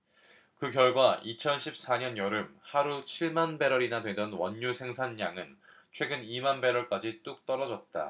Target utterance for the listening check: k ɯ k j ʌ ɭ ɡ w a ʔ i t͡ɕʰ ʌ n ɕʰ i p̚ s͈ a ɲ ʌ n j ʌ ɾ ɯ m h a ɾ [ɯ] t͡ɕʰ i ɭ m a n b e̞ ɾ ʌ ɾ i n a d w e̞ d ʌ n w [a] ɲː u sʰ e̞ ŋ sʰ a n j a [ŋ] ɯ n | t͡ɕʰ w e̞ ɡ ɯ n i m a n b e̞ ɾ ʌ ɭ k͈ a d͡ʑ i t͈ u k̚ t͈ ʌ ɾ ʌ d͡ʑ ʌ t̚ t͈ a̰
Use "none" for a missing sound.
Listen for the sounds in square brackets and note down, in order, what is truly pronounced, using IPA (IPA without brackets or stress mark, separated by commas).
u, ʌ, ŋ